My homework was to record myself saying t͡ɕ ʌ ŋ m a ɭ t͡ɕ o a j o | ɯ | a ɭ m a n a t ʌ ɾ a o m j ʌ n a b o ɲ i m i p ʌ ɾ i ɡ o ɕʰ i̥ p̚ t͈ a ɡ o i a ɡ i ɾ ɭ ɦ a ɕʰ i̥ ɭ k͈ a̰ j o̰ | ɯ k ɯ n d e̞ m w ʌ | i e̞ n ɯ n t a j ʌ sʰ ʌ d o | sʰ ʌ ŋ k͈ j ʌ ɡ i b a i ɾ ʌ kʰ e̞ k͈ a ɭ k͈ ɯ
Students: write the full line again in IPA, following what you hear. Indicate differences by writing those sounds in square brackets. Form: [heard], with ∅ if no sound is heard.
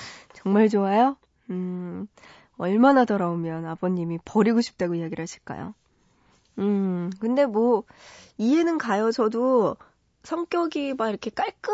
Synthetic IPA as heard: t͡ɕ ʌ ŋ m a ɭ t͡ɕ o a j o | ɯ | [ʌ] ɭ m a n a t ʌ ɾ a o m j ʌ n a b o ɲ i m i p ʌ ɾ i ɡ o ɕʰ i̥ p̚ t͈ a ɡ o i a ɡ i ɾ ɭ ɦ a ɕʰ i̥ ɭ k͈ a̰ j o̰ | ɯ k ɯ n d e̞ m w ʌ | i e̞ n ɯ n [k] a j ʌ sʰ ʌ d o | sʰ ʌ ŋ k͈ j ʌ ɡ i b a i ɾ ʌ kʰ e̞ k͈ a ɭ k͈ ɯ